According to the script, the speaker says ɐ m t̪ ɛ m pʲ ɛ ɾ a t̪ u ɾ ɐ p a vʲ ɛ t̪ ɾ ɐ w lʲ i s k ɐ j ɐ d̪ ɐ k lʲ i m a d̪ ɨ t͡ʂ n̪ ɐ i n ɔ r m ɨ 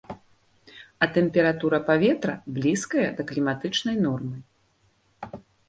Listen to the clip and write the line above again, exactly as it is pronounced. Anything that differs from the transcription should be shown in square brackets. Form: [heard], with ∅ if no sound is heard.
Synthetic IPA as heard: ɐ [∅] t̪ ɛ m pʲ ɛ ɾ a t̪ u ɾ ɐ p a vʲ ɛ t̪ ɾ ɐ [b] lʲ i s k ɐ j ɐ d̪ ɐ k lʲ i m a [t̪] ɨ t͡ʂ n̪ ɐ [j] n ɔ r m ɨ